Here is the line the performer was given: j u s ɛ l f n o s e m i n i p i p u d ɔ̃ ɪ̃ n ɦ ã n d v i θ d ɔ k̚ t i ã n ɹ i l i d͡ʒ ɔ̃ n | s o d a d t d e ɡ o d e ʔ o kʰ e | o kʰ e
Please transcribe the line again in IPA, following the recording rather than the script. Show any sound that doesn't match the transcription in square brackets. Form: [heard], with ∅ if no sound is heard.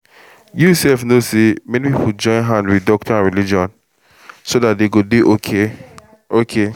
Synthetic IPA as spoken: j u s ɛ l f n o s e m [ɛ] n i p i p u [d͡ʒ] ɔ̃ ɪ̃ n ɦ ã n d [w] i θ d ɔ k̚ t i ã n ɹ i l i d͡ʒ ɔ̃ n | s o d a [∅] t d e ɡ o d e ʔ o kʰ e | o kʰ e

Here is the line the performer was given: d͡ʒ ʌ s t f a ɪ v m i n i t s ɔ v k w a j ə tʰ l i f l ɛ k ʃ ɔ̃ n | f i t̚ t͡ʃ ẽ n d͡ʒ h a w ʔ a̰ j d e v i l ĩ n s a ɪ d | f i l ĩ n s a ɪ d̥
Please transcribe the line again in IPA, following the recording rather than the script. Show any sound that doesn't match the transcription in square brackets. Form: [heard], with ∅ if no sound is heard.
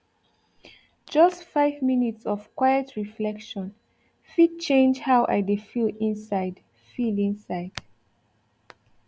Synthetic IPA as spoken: d͡ʒ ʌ s t f a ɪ v m i n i t s ɔ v k w a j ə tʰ [ɹ] i f l ɛ k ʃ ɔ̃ n | f i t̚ t͡ʃ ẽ n d͡ʒ h a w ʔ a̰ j d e [f] i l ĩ n s a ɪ d | f i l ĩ n s a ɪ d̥

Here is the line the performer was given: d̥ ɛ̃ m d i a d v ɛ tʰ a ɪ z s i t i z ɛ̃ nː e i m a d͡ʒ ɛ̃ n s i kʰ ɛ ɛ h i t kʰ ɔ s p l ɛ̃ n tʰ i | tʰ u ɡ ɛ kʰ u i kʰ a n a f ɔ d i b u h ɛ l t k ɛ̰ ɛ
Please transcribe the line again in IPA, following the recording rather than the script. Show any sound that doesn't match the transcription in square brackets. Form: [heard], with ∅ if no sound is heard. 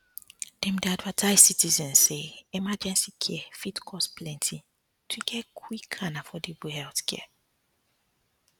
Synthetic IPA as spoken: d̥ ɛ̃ m d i a d v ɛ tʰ a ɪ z s i t i z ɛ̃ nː e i m a d͡ʒ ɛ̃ n s i kʰ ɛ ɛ [f] i t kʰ ɔ s p l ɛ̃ n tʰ i | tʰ u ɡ ɛ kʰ [w] i kʰ a n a f ɔ d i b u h ɛ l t k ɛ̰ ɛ

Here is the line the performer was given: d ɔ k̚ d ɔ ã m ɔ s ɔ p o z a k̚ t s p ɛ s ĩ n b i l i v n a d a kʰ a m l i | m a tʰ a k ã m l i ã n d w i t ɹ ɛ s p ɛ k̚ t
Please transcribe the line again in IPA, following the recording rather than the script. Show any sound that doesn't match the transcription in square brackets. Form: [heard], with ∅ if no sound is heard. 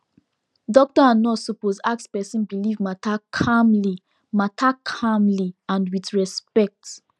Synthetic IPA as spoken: d ɔ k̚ [t] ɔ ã [n] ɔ s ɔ p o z a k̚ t s p ɛ s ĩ n b i l i v [m] a [t] a kʰ a m l i | m a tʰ a [kʰ] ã m l i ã n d w i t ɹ ɛ s p ɛ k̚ t

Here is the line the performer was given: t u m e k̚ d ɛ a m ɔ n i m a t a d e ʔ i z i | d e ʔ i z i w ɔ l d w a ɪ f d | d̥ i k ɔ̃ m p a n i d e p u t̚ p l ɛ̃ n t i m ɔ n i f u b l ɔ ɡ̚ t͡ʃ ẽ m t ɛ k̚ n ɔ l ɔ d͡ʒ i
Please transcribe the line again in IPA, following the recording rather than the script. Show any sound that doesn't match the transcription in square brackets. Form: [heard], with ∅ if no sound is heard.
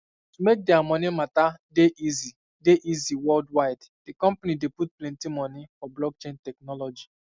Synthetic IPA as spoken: t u m e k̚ d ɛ a m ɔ n i m a t a d e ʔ i z i | d e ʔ i z i w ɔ l d w a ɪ [∅] d | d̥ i k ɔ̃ m p a n i d e p u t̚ p l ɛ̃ n t i m ɔ n i f [ɔ] b l ɔ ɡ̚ t͡ʃ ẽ [n] t ɛ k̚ n ɔ l ɔ d͡ʒ i

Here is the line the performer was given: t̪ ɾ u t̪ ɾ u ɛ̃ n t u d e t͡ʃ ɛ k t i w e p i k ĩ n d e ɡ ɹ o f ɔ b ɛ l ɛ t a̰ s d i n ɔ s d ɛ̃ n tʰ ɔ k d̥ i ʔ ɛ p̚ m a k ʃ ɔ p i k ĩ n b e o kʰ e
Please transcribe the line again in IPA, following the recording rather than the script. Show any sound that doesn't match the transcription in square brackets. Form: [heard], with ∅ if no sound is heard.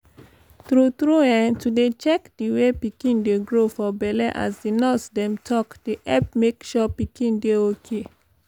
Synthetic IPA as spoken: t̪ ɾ u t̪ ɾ u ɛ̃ n t u d e t͡ʃ ɛ k [d] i w e p i k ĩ n d e ɡ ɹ o f ɔ b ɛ l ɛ [ʔ] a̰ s d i n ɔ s d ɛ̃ [m] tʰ ɔ k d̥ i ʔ ɛ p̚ m [e] k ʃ ɔ p i k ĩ n [d] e o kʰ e

